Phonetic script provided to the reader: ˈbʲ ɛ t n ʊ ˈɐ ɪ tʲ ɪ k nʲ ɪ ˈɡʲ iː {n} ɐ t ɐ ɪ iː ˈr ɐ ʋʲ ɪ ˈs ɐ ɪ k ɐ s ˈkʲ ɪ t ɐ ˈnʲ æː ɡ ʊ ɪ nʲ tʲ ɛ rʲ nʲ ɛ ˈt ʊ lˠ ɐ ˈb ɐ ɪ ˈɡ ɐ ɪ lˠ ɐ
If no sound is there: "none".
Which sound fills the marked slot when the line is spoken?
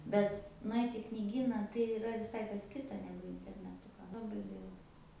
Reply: n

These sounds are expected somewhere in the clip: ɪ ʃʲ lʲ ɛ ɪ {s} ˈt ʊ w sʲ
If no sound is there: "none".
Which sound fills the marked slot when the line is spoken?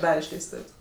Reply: s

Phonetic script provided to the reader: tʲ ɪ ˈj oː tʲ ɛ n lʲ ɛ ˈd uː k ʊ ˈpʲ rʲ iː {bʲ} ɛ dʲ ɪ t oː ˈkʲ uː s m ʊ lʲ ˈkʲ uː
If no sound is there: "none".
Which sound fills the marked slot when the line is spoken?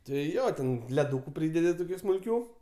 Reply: dʲ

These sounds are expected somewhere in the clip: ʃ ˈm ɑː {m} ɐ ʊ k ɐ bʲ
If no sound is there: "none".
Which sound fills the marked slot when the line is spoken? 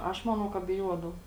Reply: n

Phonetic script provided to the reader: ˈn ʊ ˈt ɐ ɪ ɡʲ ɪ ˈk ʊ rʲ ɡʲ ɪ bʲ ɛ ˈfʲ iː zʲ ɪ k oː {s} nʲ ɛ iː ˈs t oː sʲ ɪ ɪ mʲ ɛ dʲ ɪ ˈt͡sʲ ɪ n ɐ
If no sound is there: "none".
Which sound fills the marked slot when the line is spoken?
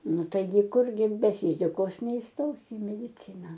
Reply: s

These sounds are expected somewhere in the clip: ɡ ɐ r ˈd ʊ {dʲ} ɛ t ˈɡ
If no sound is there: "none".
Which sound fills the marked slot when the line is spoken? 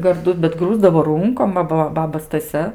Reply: bʲ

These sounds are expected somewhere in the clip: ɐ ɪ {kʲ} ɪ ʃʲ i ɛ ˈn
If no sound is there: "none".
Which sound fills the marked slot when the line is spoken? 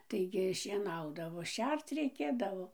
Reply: ɡʲ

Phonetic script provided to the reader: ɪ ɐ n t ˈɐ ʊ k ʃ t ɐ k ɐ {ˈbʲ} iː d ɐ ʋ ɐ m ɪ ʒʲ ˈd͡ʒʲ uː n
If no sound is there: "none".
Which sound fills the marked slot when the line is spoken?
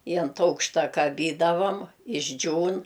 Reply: bʲ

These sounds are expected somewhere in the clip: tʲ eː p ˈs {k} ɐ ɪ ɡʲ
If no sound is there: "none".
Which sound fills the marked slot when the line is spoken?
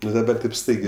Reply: t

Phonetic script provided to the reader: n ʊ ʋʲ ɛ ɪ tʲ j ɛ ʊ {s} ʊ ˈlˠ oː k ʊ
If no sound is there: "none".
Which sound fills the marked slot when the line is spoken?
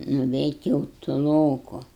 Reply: t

